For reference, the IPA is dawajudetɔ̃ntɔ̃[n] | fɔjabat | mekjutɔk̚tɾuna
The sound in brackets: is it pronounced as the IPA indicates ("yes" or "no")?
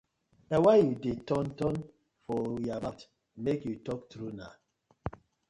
yes